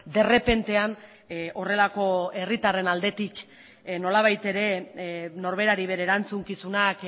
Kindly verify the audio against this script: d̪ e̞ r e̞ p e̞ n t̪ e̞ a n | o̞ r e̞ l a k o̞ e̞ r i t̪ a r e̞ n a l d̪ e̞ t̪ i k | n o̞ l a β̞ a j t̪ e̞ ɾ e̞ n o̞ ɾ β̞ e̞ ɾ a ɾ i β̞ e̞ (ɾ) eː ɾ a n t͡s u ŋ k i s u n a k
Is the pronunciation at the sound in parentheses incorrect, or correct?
correct